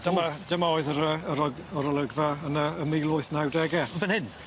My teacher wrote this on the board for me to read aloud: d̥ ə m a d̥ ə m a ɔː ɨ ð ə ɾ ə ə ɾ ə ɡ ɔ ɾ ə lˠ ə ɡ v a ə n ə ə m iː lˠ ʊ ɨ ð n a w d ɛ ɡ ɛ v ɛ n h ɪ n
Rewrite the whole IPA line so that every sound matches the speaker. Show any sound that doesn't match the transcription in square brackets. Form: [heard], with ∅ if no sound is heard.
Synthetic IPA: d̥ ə m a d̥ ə m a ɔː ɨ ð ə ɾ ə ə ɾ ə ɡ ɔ ɾ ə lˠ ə ɡ v a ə n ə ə m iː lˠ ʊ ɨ [θ] n a w d ɛ ɡ ɛ v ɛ n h ɪ n